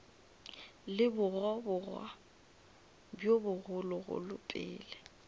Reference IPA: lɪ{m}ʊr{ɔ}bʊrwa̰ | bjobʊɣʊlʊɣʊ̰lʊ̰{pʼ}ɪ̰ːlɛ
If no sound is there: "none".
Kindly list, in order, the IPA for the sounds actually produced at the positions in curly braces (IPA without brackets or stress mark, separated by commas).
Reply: b, ɔ, pʼ